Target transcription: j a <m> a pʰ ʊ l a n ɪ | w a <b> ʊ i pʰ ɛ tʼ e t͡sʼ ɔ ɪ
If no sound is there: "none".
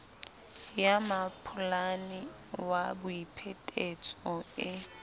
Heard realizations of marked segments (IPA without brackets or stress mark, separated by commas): m, b